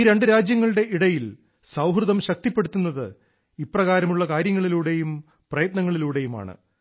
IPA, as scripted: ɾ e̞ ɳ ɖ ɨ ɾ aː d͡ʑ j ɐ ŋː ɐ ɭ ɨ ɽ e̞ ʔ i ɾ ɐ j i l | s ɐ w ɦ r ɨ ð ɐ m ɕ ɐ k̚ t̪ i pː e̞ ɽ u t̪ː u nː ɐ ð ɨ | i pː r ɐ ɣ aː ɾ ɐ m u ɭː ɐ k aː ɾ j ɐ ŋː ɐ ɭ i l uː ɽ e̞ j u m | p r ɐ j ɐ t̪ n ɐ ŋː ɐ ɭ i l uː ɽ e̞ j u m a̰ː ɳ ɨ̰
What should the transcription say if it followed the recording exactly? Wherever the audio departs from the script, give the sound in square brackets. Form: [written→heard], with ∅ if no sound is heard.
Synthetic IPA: ɾ e̞ ɳ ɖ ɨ ɾ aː d͡ʑ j ɐ ŋː ɐ ɭ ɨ ɽ e̞ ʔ i [ɾ→ɽ] ɐ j i l | s ɐ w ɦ r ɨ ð ɐ m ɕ ɐ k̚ t̪ i pː e̞ ɽ u t̪ː u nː ɐ ð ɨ | i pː r ɐ ɣ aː ɾ ɐ m u ɭː ɐ k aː ɾ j ɐ ŋː ɐ ɭ i l uː ɽ e̞ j u m | p r ɐ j ɐ t̪ n ɐ ŋː ɐ ɭ i l uː ɽ e̞ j u m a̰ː ɳ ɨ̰